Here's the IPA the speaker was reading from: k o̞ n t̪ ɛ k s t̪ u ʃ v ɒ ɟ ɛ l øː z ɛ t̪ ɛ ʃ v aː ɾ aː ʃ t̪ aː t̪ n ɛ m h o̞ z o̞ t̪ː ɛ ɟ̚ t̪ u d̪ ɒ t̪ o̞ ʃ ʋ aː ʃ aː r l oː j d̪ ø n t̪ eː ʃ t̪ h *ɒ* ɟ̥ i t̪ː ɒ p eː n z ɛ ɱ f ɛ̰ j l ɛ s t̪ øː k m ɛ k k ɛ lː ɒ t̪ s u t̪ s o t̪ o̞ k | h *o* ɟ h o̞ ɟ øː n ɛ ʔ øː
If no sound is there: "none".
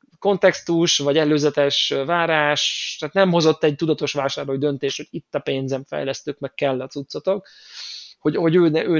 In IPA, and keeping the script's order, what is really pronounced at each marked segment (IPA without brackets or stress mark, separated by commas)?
o, o